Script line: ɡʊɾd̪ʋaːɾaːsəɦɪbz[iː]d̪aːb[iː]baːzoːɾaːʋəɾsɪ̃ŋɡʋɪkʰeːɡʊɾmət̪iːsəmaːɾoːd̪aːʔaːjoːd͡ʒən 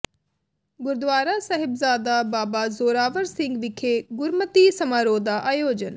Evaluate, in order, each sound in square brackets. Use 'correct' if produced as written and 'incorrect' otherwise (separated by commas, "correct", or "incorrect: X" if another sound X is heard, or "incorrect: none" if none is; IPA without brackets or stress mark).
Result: incorrect: aː, incorrect: aː